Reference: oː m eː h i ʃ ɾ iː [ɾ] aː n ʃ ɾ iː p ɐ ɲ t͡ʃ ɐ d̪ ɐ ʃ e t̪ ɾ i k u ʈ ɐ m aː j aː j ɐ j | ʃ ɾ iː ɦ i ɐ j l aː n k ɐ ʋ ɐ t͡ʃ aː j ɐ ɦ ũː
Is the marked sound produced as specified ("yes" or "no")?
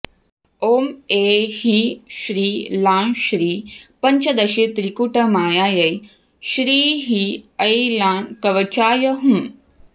no